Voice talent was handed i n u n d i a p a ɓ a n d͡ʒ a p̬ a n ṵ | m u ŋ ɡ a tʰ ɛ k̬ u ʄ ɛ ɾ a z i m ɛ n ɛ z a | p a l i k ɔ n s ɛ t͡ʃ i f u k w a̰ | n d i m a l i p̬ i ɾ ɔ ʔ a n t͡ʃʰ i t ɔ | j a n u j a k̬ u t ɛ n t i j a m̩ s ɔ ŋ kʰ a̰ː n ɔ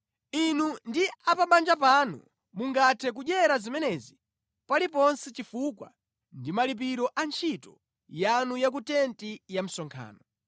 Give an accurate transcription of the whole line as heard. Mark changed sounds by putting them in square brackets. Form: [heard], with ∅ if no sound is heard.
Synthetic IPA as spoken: i n u n d i a p a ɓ a n d͡ʒ a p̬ a n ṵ | m u ŋ ɡ a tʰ ɛ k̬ u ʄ ɛ ɾ a z i m ɛ n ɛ z [i] | p a l i [p] ɔ n s ɛ t͡ʃ i f u k w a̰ | n d i m a l i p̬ i ɾ ɔ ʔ a n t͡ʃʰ i t ɔ | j a n u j a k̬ u t ɛ n t i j a m̩ s ɔ ŋ kʰ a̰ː n ɔ